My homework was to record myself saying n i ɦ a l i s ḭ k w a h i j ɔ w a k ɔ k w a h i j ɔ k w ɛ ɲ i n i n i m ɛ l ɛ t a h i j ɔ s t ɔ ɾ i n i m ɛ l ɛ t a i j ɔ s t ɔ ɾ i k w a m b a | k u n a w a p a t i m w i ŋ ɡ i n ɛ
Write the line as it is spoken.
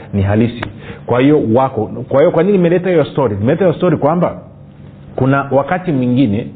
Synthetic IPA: n i ɦ a l i s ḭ k w a h i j ɔ w a k ɔ k w a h i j ɔ k w a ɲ i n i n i m ɛ l ɛ t a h i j ɔ s t ɔ ɾ i n i m ɛ l ɛ t a i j ɔ s t ɔ ɾ i k w a m b a | k u n a w a k a t i m w i ŋ ɡ i n ɛ